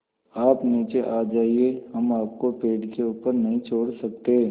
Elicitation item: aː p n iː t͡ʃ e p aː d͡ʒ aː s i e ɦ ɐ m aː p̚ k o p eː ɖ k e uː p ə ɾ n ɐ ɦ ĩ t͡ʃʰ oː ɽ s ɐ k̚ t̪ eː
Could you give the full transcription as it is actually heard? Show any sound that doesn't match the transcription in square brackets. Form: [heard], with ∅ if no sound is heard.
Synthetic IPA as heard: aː p n iː t͡ʃ e [ʔ] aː d͡ʒ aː [∅] i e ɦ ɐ m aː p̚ k o p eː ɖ k e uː p ə ɾ n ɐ ɦ ĩ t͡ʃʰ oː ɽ s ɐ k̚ t̪ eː